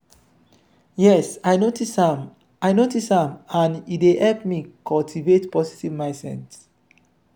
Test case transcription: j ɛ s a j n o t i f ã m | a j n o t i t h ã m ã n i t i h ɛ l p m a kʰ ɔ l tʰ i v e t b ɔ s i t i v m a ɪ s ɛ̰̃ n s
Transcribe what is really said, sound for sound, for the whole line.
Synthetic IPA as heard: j ɛ s a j n o t i s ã m | a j n o t i s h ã m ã n i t e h ɛ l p m i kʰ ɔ l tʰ i v e t p ɔ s i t i v m a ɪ s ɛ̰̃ n s